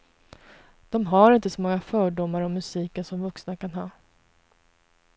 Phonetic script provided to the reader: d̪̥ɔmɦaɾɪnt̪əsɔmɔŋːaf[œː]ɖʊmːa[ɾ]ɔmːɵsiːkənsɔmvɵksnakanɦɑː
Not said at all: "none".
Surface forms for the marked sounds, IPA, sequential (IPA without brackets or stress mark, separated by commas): œː, ɾ